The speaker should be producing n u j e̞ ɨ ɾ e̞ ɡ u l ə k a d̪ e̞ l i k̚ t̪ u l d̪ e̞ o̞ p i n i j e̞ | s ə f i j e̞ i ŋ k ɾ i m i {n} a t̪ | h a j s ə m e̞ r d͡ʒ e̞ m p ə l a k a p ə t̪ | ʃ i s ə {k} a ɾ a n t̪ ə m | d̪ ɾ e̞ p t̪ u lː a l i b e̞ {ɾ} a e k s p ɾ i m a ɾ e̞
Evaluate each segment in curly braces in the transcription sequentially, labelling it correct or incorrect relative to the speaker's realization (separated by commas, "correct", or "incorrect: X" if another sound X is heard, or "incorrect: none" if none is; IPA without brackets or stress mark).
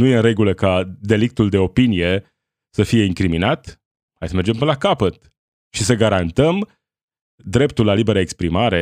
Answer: correct, incorrect: ɡ, correct